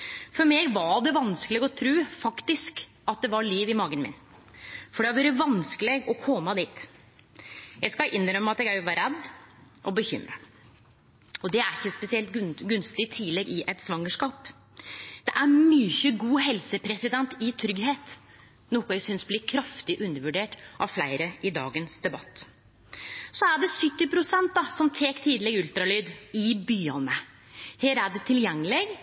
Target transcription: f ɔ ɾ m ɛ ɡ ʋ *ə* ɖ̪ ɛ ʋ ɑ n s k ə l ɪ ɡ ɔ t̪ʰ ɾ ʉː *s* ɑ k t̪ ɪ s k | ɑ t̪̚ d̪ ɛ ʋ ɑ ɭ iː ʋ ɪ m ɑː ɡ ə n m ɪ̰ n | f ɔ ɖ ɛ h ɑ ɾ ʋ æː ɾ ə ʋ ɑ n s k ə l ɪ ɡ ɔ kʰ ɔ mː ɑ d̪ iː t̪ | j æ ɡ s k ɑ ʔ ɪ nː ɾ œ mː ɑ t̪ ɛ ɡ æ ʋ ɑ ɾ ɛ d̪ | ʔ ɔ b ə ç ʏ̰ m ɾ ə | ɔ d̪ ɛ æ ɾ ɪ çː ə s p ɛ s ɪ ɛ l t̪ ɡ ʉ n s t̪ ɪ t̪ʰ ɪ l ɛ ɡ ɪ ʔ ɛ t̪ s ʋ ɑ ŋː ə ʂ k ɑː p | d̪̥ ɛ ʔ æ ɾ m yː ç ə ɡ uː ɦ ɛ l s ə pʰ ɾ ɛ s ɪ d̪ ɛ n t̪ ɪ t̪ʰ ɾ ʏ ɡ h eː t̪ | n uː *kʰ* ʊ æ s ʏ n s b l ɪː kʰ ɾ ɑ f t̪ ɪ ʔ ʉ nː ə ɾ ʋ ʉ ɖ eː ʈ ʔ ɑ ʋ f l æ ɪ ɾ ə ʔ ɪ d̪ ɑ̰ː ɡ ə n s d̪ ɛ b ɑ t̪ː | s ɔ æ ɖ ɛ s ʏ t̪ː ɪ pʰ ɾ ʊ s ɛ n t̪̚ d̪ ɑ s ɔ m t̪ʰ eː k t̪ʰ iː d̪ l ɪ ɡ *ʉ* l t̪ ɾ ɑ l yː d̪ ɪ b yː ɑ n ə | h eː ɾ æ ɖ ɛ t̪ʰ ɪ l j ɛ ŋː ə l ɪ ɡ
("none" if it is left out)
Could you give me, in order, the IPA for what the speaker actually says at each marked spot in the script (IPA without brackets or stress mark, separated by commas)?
ɑ, f, k, ʉ